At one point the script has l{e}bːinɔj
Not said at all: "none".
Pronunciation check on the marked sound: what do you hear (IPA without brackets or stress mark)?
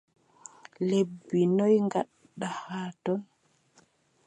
e